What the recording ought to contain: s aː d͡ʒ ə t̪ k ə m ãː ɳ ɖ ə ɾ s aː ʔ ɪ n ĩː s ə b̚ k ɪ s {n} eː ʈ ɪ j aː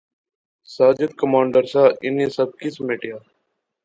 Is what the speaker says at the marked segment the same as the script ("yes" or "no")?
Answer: no